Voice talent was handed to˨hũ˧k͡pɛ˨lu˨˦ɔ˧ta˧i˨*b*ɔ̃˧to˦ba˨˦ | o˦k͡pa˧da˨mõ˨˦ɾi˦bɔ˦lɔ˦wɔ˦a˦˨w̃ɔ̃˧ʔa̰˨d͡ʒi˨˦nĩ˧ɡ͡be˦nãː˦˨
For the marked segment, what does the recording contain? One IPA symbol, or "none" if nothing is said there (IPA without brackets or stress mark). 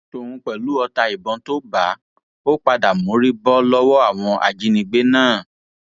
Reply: b